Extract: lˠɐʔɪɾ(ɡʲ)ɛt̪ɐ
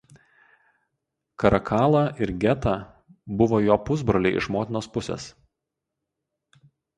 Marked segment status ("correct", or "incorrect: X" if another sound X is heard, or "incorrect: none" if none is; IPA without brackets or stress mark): correct